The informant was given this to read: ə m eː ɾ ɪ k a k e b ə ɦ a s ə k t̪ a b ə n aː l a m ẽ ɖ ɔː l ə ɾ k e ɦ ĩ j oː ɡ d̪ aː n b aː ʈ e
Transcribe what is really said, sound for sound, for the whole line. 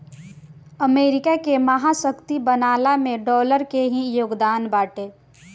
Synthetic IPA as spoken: ə m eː ɾ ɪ k a k e m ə ɦ a s ə k t̪ i b ə n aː l a m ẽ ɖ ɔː l ə ɾ k e ɦ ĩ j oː ɡ d̪ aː n b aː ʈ e

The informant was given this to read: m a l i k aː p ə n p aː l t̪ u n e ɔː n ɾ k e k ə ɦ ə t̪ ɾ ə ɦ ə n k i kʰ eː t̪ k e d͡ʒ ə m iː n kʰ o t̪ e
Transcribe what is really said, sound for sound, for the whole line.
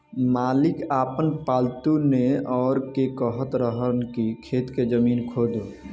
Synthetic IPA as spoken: m a l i k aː p ə n p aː l t̪ u n e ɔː ɾ k e k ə ɦ ə t̪ ɾ ə ɦ ə n k i kʰ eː t̪ k e d͡ʒ ə m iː n kʰ o d̪ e

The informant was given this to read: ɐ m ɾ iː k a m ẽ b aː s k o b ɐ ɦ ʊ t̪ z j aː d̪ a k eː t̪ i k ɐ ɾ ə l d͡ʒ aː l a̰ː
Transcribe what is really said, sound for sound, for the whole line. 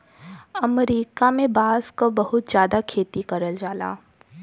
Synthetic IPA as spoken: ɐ m ɾ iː k a m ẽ b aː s k o b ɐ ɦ ʊ t̪ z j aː d̪ a kʰ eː t̪ i k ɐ ɾ ə l d͡ʒ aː l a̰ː

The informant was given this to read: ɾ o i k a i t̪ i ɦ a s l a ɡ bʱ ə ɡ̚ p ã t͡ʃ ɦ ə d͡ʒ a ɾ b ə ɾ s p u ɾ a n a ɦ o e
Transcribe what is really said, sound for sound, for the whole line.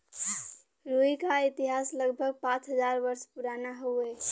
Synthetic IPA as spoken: ɾ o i k a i t̪ i ɦ a s l ə ɡ bʱ ə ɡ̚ p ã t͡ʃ ɦ ə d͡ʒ a ɾ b ə ɾ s p u ɾ a n a ɦ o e

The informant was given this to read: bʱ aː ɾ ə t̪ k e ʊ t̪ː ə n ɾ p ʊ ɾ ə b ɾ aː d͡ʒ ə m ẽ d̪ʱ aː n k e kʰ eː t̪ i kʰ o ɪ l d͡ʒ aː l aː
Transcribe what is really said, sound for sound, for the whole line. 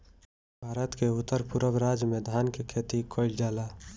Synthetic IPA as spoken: bʱ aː ɾ ə t̪ k e ʊ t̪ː ə ɾ p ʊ ɾ ə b ɾ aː d͡ʒ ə m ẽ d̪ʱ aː n k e kʰ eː t̪ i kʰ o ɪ l d͡ʒ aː l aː

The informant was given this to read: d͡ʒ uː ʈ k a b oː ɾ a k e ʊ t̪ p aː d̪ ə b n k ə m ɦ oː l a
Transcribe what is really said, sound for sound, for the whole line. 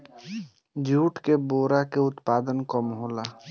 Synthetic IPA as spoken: d͡ʒ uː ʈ k e b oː ɾ a k e ʊ t̪ p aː d̪ ə n k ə m ɦ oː l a

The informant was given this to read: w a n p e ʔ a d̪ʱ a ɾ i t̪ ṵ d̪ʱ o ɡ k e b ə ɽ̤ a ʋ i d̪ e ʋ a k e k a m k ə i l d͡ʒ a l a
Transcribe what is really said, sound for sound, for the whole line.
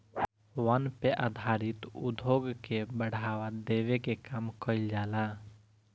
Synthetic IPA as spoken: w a n p e ʔ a d̪ʱ a ɾ i t̪ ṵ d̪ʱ o ɡ k e b ə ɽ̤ a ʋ a d̪ e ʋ e k e k a m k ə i l d͡ʒ a l a

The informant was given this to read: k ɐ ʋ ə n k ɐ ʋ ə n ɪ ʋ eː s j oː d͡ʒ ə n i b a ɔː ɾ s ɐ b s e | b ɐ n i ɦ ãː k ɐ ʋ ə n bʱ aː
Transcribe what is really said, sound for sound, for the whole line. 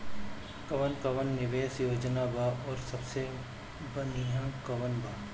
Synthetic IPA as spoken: k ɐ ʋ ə n k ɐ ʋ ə nː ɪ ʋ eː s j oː d͡ʒ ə n a b a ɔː ɾ s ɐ b s e | b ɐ n i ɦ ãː k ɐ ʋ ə n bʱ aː

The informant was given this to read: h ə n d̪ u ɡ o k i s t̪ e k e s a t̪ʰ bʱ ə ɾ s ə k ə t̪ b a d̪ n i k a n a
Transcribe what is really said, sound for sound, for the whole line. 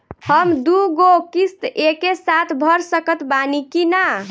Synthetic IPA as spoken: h ə m d̪ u ɡ o k i s t̪ e k e s a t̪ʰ bʱ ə ɾ s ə k ə t̪ b a n i k i n a

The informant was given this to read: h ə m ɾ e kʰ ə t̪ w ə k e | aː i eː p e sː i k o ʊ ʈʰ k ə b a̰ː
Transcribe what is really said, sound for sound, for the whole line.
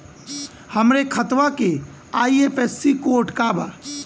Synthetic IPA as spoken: h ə m ɾ e kʰ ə t̪ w a k e | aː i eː p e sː i k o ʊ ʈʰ k a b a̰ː

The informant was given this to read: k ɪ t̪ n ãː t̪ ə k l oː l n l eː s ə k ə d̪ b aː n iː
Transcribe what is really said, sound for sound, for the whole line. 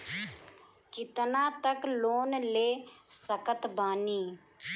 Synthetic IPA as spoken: k ɪ t̪ n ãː t̪ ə k l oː n l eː s ə k ə t̪ b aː n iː

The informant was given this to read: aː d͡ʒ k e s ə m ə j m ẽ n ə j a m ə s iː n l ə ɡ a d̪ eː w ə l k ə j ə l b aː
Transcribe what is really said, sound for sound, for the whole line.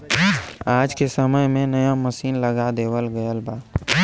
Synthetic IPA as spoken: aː d͡ʒ k e s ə m ə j m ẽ n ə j a m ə s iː n l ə ɡ a d̪ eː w ə l ɡ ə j ə l b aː

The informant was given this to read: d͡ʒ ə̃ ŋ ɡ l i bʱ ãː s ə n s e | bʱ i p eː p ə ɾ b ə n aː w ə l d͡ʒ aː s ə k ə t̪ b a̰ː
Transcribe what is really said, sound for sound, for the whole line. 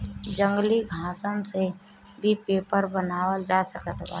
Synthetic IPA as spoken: d͡ʒ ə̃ ŋ ɡ l i ɡʱ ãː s ə n s e | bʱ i p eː p ə ɾ b ə n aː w ə l d͡ʒ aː s ə k ə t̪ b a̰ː

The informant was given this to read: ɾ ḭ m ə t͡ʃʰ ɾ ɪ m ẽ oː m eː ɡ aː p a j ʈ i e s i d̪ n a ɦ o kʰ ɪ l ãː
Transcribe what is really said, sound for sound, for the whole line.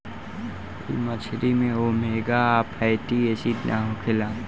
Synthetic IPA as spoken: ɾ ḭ m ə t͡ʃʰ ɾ i m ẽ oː m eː ɡ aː p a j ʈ i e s i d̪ n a ɦ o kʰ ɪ l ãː

